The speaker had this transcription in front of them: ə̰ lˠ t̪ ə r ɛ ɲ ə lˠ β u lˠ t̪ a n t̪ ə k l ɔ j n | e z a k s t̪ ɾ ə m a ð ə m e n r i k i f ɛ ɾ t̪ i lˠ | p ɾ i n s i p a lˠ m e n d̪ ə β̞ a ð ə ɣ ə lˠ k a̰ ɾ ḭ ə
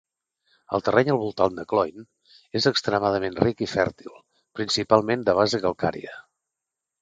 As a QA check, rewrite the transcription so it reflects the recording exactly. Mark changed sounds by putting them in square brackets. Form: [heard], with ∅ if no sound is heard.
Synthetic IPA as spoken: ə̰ lˠ t̪ ə r ɛ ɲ ə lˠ β u lˠ t̪ a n [d̪] ə k l ɔ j n | e z [ə] k s t̪ ɾ ə m a ð ə m e n r i k i f ɛ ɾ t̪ i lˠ | p ɾ i n s i p a lˠ m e n d̪ ə β̞ a [z] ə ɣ ə lˠ k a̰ ɾ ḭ ə